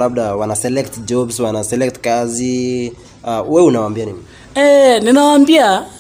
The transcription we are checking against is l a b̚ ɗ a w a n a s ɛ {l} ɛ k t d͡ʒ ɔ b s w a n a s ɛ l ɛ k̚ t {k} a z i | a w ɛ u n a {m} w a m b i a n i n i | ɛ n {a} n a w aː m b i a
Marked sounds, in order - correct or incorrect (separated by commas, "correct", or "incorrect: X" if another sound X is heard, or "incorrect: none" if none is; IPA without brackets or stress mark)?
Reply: correct, correct, incorrect: none, incorrect: i